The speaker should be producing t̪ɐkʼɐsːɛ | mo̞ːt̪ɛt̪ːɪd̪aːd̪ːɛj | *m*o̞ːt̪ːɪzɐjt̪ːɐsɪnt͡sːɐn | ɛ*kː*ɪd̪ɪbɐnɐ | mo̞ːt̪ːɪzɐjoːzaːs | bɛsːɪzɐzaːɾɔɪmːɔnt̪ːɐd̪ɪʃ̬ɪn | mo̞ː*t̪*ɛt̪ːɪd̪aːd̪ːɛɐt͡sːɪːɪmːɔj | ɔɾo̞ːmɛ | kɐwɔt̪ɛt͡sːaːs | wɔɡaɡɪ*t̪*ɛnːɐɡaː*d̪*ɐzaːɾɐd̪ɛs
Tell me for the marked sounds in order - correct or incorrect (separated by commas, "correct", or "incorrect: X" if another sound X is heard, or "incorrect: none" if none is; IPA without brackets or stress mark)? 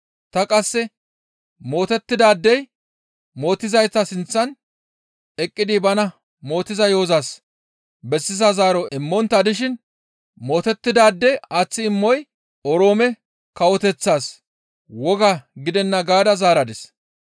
correct, incorrect: kʼː, correct, incorrect: d̪, correct